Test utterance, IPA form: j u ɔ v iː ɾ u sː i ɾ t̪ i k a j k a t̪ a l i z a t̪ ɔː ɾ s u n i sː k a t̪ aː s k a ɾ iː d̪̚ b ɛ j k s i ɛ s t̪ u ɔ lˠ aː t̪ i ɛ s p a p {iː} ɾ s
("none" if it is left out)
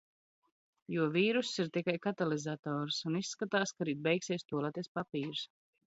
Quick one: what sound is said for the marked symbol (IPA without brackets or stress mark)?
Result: iː